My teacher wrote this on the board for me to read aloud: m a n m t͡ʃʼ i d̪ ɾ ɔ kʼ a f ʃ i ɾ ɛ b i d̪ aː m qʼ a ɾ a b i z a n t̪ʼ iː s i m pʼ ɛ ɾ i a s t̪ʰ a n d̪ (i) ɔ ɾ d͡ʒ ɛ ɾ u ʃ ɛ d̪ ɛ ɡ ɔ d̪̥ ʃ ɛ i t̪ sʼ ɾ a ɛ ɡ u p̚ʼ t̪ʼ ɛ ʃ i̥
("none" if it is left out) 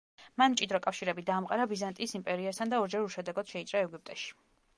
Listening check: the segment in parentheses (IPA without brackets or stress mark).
a